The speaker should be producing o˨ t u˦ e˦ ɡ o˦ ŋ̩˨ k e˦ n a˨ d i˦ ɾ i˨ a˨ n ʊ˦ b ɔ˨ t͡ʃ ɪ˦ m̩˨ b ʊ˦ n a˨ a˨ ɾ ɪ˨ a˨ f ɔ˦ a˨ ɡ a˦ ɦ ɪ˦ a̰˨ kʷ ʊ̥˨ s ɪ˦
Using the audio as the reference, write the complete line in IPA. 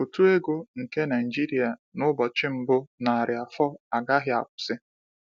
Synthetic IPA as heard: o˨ t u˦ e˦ ɡ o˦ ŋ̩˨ k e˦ n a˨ d͡ʒ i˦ ɾ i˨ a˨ n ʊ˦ b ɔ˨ t͡ʃ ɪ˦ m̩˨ b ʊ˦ n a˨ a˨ ɾ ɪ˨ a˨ f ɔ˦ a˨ ɡ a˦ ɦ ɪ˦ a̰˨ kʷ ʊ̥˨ s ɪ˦